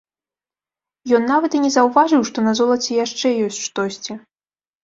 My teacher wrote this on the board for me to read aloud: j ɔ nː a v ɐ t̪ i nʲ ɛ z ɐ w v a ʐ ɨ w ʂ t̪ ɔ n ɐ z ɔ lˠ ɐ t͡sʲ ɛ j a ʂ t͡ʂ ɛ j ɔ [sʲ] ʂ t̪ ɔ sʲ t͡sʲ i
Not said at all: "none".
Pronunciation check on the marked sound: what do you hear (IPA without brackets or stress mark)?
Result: sʲ